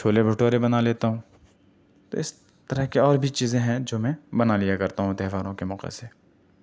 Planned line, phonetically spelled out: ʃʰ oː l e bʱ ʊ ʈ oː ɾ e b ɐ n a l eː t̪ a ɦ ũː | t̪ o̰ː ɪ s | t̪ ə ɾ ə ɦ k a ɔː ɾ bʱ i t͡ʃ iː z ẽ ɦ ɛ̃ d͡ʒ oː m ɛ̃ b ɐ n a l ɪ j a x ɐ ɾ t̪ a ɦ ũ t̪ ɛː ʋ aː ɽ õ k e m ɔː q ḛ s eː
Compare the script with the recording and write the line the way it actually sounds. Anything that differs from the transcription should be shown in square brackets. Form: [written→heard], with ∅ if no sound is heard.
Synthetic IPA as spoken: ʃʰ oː l e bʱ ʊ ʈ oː ɾ e b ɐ n a l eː t̪ a ɦ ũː | t̪ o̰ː ɪ s | t̪ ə ɾ ə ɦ k [a→e] ɔː ɾ bʱ i t͡ʃ iː z ẽ ɦ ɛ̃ d͡ʒ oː m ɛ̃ b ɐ n a l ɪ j a [x→k] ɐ ɾ t̪ a ɦ ũ t̪ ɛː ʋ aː [ɽ→ɾ] õ k e m ɔː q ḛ s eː

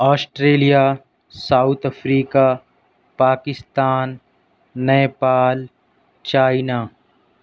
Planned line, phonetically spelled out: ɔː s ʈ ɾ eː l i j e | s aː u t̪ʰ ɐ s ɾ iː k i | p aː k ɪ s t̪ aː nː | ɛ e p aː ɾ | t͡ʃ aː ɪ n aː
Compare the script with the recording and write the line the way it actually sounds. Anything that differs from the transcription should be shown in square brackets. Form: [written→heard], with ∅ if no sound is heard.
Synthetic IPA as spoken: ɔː s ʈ ɾ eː l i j [e→a] | s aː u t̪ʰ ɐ [s→f] ɾ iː k [i→a] | p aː k ɪ s t̪ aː nː | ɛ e p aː [ɾ→l] | t͡ʃ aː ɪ n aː

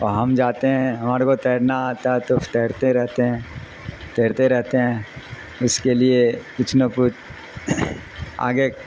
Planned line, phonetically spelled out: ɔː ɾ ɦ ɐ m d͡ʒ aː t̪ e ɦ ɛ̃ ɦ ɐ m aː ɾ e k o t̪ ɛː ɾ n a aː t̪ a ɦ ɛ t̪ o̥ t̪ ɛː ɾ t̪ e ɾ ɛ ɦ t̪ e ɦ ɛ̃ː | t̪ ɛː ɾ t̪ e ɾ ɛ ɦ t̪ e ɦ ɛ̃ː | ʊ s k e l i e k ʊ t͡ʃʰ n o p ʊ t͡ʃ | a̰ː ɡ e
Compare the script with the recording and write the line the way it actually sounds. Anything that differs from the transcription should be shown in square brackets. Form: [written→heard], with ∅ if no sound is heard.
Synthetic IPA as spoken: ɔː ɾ ɦ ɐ m d͡ʒ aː t̪ e ɦ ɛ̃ ɦ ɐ m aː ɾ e k o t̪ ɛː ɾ n a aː t̪ a ɦ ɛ t̪ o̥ t̪ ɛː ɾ t̪ e ɾ ɛ ɦ t̪ e ɦ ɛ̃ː | t̪ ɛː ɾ t̪ e ɾ ɛ ɦ t̪ e ɦ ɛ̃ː | ʊ s k e l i e k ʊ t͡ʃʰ n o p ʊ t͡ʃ | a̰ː ɡ e

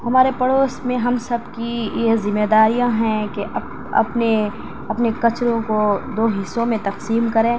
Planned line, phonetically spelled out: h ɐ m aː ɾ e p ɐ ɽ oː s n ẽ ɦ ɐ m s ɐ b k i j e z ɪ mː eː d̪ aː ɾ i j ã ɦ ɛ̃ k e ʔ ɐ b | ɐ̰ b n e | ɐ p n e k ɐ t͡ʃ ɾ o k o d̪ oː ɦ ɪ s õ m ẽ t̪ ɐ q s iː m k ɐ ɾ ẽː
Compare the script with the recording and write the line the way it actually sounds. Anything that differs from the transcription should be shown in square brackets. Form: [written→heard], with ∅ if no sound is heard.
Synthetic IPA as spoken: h ɐ m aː ɾ e p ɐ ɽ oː s [n→m] ẽ ɦ ɐ m s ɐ b k i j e z ɪ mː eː d̪ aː ɾ i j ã ɦ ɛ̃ k e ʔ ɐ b | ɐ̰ [b→p] n e | ɐ p n e k ɐ t͡ʃ ɾ [o→õ] k o d̪ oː ɦ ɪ s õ m ẽ t̪ ɐ q s iː m k ɐ ɾ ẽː

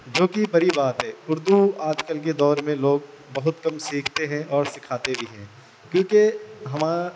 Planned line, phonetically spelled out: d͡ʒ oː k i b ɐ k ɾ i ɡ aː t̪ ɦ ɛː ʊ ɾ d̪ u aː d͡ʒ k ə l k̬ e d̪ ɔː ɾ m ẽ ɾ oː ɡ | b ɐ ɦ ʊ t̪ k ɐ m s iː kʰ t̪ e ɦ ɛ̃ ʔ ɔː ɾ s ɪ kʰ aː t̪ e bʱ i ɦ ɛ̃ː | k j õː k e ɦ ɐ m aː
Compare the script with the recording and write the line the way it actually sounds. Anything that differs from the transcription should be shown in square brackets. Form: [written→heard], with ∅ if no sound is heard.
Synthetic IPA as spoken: d͡ʒ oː k i b ɐ [k→∅] ɾ i [ɡ→b] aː t̪ ɦ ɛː ʊ ɾ d̪ u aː d͡ʒ k ə l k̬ e d̪ ɔː ɾ m ẽ [ɾ→l] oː ɡ | b ɐ ɦ ʊ t̪ k ɐ m s iː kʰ t̪ e ɦ ɛ̃ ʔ ɔː ɾ s ɪ kʰ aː t̪ e bʱ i ɦ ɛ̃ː | k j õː k e ɦ ɐ m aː

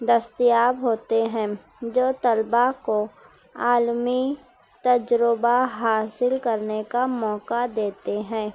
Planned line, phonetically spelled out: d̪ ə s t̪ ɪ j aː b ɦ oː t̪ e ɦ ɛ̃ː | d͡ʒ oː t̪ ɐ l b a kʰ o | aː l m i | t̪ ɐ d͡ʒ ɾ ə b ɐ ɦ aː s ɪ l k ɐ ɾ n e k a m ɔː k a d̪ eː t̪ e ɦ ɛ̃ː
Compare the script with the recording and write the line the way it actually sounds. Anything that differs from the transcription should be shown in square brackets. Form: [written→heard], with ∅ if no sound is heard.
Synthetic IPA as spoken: d̪ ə s t̪ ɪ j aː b ɦ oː t̪ e ɦ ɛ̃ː | d͡ʒ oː t̪ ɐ l b a [kʰ→k] o | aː l m i | t̪ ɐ d͡ʒ ɾ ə b [ɐ→a] ɦ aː s ɪ l k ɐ ɾ n e k a m ɔː k a d̪ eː t̪ e ɦ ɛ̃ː

